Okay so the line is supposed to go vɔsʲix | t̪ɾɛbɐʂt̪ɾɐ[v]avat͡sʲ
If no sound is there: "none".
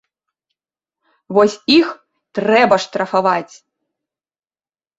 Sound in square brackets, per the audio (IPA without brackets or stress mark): f